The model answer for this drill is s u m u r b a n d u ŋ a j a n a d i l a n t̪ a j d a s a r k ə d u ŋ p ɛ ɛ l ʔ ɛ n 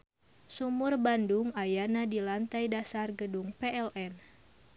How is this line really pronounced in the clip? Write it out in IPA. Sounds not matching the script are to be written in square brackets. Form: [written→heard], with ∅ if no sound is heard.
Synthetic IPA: s u m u r b a n d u ŋ a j a n a d i l a n t̪ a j d a s a r [k→ɡ] ə d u ŋ p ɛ ɛ l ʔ ɛ n